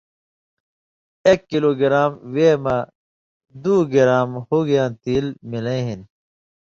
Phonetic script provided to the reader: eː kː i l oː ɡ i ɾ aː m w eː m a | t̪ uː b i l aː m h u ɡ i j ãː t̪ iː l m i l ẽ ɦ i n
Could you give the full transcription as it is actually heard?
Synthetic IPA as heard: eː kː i l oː ɡ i ɾ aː m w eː m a | d̪ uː ɡ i ɾ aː m h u ɡ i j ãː t̪ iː l m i l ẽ ɦ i n